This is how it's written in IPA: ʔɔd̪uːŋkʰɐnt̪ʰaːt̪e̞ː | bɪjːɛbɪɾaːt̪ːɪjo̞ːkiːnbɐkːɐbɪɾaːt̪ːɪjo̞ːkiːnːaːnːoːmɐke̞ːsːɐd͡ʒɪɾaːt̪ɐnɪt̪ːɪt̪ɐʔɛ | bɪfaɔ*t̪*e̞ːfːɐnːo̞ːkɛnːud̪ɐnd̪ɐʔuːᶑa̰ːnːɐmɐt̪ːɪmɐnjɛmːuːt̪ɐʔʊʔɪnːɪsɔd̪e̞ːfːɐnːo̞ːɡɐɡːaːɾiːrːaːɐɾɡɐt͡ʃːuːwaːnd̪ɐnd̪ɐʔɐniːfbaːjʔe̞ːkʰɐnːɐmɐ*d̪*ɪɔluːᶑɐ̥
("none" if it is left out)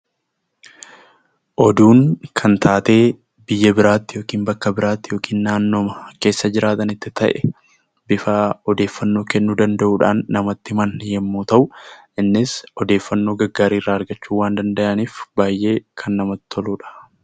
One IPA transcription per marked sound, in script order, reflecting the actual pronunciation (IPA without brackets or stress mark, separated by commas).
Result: d̪, t̪